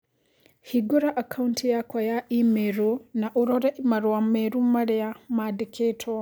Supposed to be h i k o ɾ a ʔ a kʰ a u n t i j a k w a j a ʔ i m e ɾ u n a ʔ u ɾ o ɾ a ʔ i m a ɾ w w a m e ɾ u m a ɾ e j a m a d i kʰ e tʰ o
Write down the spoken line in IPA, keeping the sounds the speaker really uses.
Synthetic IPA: h i ɡ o ɾ a ʔ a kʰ a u n t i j a k w a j a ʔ i m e ɾ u n a ʔ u ɾ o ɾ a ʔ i m a ɾ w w a m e ɾ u m a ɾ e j a m a d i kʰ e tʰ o

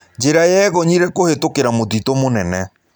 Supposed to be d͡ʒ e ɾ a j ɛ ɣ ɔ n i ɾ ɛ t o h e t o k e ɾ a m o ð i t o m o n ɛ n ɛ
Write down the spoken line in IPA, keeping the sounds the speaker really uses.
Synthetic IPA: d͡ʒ e ɾ a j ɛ ɣ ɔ ɲ i ɾ ɛ k o h e t o k e ɾ a m o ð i t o m o n ɛ n ɛ

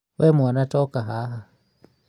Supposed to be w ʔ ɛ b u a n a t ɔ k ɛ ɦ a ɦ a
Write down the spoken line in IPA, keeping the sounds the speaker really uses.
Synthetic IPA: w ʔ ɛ m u a n a t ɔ k a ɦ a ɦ a

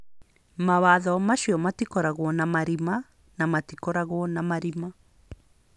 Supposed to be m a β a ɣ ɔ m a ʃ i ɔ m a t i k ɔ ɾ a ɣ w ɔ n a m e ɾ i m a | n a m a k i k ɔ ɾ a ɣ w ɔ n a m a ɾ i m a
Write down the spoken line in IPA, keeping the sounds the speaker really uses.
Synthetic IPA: m a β a ð ɔ m a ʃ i ɔ m a t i k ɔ ɾ a ɣ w ɔ n a m a ɾ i m a | n a m a t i k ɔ ɾ a ɣ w ɔ n a m a ɾ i m a

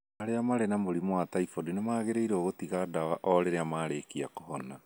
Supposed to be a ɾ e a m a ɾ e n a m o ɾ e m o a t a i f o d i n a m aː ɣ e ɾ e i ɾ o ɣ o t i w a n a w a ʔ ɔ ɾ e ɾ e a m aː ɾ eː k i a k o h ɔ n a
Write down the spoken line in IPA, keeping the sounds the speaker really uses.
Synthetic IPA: a ɾ e a m a ɾ e n a m o ɾ i m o a t a i f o d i n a m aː ɣ e ɾ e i ɾ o ɣ o t i ɣ a d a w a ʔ ɔ ɾ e ɾ e a m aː ɾ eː k i a k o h ɔ n a

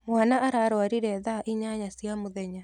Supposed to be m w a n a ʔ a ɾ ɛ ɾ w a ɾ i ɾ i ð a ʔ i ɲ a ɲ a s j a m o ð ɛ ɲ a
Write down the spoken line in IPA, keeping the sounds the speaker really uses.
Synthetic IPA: m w a n a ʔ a ɾ a ɾ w a ɾ i ɾ ɛ ð a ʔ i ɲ a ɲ a s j a m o ð ɛ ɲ a

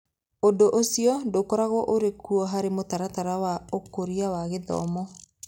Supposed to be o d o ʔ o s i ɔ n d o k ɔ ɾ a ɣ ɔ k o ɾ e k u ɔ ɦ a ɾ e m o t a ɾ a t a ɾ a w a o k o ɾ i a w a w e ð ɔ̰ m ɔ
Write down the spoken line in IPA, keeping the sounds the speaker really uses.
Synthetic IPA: o d o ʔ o s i ɔ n d o k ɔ ɾ a ɣ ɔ ʔ o ɾ e k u ɔ ɦ a ɾ e m o t a ɾ a t a ɾ a w a o k o ɾ i a w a ɣ e ð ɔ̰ m ɔ

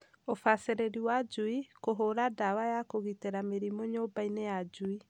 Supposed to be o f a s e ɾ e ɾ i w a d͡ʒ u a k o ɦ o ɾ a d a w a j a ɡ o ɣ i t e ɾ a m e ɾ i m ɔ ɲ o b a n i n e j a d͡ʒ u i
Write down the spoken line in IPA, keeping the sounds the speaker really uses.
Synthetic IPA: o f a s e ɾ e ɾ i w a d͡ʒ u i k o ɦ o ɾ a d a w a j a k o ɣ i t e ɾ a m e ɾ i m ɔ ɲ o b a i n e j a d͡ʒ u i

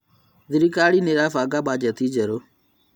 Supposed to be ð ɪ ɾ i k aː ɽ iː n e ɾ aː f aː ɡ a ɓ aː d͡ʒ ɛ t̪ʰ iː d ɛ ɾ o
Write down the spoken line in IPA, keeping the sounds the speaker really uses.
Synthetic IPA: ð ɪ ɾ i k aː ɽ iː n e ɾ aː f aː ɡ a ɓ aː d͡ʒ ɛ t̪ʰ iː d͡ʒ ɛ ɾ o

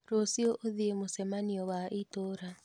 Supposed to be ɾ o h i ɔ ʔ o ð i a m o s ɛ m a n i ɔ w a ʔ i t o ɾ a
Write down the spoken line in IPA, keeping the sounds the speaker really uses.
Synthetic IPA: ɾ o s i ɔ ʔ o ð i e m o s ɛ m a n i ɔ w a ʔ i t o ɾ a

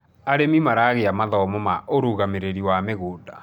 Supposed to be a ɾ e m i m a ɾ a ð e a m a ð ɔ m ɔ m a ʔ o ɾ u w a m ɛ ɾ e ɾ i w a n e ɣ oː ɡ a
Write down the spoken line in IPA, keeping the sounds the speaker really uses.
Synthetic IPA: a ɾ e m i m a ɾ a ɣ e a m a ð ɔ m ɔ m a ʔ o ɾ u ɣ a m e ɾ e ɾ i w a m e ɣ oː d a

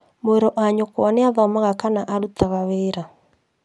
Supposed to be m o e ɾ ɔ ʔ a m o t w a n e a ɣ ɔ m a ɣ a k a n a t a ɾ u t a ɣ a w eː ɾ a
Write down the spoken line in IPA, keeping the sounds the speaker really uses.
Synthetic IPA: m o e ɾ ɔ ʔ a ɲ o k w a n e a ð ɔ m a ɣ a k a n a ʔ a ɾ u t a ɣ a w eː ɾ a

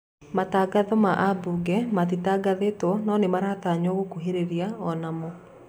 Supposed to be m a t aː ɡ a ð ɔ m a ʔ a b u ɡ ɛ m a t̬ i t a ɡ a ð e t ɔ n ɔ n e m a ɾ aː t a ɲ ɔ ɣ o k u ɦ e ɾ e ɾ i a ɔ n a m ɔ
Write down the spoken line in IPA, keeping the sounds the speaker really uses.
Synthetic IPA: m a t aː ɡ a ð ɔ m a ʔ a b u ɡ ɛ m a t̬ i t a ɡ a ð e t ɔ n ɔ n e m a ɾ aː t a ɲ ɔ ɣ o k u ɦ e ɾ e ɾ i a ɔ n a m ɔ

